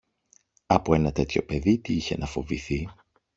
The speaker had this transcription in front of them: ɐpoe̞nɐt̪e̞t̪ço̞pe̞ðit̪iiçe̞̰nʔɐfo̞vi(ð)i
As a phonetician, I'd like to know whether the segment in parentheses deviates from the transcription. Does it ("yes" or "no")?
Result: yes